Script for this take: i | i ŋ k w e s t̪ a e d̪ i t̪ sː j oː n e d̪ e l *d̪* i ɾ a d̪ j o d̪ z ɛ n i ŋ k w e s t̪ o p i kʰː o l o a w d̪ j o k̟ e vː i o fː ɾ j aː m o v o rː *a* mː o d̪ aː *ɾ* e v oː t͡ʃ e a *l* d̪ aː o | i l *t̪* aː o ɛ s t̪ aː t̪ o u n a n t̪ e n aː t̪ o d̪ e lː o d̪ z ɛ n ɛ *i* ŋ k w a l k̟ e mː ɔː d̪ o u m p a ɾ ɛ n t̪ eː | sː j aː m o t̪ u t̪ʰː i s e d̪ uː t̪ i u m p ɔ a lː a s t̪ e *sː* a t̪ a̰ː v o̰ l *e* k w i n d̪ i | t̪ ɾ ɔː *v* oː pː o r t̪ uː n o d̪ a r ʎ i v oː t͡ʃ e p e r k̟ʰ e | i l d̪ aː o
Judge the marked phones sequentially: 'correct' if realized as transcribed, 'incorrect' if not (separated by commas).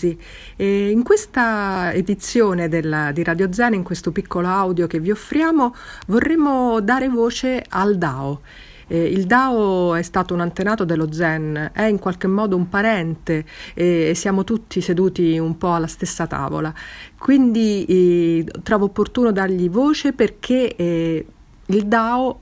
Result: correct, incorrect, correct, correct, incorrect, correct, correct, incorrect, correct